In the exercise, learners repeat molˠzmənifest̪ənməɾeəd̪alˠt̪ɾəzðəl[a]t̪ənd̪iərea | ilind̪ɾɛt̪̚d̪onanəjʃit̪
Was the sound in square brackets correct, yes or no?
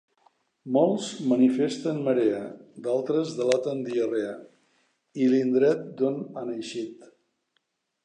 yes